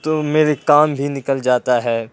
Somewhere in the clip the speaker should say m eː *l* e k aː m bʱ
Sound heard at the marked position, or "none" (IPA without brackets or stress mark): ɾ